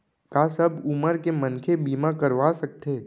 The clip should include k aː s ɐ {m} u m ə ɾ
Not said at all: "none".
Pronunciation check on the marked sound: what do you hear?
b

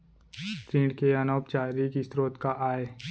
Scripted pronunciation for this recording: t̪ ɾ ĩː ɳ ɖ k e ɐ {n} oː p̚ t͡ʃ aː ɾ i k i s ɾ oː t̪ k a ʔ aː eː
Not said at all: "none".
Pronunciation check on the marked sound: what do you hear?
n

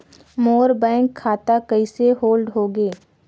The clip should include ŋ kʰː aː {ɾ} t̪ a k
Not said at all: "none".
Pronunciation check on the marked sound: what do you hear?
none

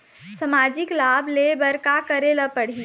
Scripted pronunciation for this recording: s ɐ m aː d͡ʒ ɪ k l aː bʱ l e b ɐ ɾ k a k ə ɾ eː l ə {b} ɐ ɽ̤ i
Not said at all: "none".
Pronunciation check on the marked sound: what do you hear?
p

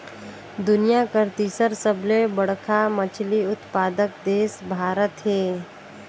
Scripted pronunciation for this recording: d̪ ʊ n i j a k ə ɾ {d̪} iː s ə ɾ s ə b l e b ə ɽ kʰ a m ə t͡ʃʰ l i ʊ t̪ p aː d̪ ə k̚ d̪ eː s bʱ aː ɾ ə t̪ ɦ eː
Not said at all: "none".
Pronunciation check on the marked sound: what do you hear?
t̪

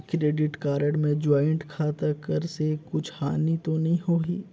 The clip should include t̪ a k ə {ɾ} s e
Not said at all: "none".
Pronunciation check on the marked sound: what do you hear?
ɾ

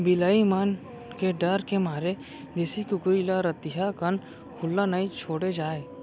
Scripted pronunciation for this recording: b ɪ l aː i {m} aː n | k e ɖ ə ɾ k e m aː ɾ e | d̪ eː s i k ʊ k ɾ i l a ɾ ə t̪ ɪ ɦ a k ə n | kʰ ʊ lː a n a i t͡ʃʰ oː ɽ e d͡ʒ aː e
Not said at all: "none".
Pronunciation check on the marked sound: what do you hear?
m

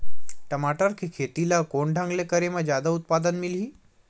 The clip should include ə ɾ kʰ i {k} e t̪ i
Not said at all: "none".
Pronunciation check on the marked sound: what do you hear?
kʰ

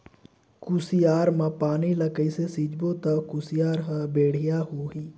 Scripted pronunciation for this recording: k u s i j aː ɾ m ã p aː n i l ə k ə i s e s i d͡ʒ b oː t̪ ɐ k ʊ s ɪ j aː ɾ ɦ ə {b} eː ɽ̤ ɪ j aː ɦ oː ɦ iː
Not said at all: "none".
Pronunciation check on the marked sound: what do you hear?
b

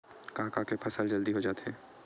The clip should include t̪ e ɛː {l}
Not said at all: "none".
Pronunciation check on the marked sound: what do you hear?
none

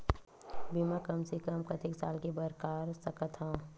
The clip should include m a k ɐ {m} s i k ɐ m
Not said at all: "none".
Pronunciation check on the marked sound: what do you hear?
m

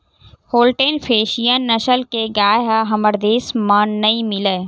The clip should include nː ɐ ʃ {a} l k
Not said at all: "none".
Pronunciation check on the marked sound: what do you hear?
ə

